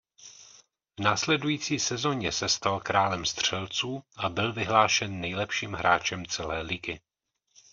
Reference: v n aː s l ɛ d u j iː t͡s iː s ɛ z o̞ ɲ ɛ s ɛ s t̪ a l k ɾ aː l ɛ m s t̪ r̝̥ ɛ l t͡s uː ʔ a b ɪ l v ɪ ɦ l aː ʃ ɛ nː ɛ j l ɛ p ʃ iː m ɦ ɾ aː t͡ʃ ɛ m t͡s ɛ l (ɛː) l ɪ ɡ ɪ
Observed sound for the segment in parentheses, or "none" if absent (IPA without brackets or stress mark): ɛː